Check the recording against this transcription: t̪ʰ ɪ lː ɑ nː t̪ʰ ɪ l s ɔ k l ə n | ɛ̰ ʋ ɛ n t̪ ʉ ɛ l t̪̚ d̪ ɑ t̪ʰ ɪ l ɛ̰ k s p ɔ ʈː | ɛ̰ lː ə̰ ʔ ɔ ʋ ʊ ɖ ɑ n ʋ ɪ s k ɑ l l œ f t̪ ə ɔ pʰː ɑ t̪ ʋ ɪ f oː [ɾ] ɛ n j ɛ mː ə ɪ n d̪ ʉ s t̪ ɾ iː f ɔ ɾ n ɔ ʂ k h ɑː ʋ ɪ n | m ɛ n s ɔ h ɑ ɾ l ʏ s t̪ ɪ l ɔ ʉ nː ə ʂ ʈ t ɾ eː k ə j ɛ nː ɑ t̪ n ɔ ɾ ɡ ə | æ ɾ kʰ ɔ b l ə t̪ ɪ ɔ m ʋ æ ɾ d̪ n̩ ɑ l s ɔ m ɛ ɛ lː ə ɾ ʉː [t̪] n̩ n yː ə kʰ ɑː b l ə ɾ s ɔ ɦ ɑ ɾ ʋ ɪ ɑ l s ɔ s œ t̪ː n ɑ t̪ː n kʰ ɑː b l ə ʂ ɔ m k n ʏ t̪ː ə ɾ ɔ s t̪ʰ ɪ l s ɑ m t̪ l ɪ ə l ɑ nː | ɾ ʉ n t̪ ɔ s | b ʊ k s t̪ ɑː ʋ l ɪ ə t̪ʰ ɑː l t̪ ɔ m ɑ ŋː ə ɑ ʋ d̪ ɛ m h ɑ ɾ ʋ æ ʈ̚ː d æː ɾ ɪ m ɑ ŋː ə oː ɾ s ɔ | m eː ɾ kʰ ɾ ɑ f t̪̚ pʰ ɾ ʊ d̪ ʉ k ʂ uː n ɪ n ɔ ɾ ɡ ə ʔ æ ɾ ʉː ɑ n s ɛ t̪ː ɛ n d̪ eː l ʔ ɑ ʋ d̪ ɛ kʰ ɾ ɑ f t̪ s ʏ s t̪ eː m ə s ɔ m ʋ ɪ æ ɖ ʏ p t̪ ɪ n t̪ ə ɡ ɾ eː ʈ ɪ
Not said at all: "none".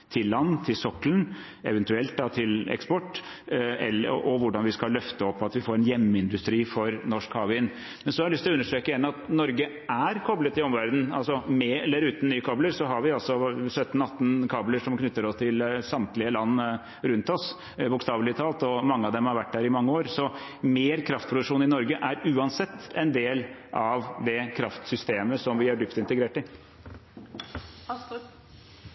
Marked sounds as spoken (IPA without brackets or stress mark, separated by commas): ɾ, t̪